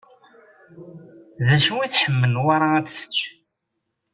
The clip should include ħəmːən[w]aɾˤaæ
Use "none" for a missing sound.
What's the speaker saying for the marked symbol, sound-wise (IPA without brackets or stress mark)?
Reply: w